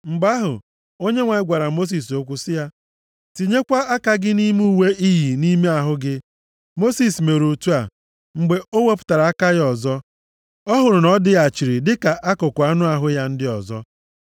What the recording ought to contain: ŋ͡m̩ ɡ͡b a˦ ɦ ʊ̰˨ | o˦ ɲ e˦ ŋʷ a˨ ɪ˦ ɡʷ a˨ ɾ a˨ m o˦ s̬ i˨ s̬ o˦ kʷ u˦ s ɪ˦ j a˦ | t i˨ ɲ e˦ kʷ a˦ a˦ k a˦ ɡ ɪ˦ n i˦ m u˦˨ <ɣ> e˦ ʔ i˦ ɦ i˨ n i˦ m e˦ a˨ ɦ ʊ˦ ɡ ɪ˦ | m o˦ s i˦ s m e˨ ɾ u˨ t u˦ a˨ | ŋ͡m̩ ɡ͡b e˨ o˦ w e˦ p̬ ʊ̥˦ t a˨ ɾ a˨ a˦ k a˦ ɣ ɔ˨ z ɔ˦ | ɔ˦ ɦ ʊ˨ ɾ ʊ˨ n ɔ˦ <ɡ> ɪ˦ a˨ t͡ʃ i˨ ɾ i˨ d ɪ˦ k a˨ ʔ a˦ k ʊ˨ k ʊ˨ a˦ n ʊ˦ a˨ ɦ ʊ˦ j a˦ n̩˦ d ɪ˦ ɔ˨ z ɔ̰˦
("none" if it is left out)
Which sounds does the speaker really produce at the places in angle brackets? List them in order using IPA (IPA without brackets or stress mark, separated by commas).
w, d